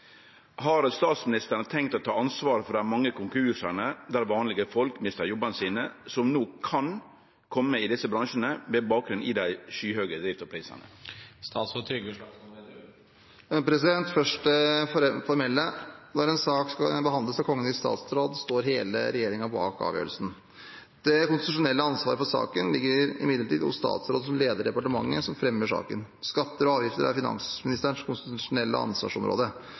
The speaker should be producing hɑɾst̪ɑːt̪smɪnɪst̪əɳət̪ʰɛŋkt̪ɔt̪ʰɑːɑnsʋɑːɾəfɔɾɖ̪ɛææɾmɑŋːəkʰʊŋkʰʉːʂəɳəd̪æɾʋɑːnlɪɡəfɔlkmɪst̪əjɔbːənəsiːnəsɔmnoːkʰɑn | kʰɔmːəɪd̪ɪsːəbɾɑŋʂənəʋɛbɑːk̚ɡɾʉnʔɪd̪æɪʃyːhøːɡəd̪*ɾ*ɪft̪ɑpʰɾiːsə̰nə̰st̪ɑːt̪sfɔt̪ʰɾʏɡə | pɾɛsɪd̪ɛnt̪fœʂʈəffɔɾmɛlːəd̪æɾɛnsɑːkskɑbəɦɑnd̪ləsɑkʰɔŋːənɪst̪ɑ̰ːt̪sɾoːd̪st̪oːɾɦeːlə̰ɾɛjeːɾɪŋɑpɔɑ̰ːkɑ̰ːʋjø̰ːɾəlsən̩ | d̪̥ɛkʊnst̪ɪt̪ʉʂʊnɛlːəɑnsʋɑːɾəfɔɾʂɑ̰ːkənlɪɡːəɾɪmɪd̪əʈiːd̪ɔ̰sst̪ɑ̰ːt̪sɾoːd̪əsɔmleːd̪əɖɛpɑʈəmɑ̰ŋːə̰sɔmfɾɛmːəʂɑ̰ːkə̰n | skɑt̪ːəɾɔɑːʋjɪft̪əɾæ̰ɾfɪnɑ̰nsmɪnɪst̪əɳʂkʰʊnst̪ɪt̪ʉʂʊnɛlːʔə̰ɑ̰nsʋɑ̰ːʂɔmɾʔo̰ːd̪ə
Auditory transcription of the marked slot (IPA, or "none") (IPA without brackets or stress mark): ɾ